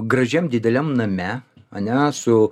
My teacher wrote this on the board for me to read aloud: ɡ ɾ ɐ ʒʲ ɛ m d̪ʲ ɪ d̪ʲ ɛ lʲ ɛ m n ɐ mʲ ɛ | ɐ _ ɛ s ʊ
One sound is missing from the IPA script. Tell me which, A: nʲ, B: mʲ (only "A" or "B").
A